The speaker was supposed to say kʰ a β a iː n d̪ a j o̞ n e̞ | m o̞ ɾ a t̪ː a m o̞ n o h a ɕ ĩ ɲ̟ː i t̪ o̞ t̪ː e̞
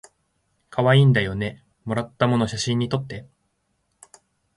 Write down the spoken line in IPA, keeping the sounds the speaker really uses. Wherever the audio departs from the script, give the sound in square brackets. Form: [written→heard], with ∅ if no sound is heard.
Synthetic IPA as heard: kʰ a β a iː n d̪ a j o̞ n e̞ | m o̞ ɾ a t̪ː a m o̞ n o [h→ɕ] a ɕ ĩ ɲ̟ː i t̪ o̞ t̪ː e̞